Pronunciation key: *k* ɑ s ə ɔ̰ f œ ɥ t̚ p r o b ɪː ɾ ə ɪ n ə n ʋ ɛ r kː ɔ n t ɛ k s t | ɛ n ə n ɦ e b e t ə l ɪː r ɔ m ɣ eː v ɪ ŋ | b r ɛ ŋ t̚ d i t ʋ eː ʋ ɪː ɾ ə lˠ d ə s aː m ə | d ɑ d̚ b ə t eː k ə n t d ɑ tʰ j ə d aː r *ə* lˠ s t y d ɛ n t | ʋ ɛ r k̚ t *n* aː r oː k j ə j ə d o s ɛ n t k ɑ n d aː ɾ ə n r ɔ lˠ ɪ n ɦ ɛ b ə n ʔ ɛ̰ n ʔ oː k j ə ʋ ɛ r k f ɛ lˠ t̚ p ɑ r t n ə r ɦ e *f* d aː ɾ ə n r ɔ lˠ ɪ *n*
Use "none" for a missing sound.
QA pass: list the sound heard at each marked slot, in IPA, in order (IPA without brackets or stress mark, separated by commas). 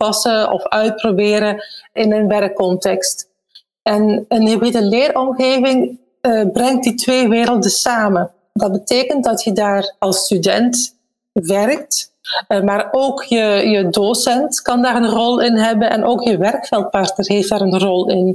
p, ɑ, m, f, n